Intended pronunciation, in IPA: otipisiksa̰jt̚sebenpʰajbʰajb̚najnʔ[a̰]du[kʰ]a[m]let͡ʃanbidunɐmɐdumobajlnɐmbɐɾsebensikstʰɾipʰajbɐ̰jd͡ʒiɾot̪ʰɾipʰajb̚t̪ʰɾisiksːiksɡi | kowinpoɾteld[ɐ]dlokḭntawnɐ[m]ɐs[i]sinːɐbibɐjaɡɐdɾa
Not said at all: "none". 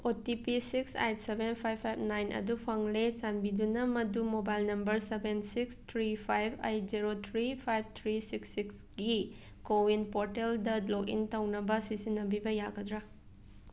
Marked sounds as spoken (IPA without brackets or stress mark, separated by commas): ɐ̰, pʰ, ŋ, ɐ, b, i